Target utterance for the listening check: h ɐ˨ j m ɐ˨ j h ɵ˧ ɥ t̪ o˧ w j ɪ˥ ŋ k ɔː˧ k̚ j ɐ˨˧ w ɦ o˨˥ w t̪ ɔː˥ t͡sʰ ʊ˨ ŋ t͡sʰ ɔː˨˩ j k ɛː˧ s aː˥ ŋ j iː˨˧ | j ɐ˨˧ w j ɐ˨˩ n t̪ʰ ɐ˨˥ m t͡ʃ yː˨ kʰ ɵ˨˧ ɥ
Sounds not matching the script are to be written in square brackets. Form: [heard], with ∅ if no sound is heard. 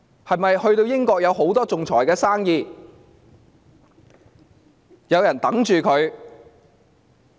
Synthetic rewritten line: h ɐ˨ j m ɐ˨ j h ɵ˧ ɥ t̪ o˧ w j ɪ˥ ŋ k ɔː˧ k̚ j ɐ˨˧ w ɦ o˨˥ w t̪ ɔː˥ [t͡s] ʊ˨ ŋ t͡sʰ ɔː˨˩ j k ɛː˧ s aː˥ ŋ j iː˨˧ | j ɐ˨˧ w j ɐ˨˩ n [t̪] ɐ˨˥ [ŋ] t͡ʃ yː˨ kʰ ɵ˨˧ ɥ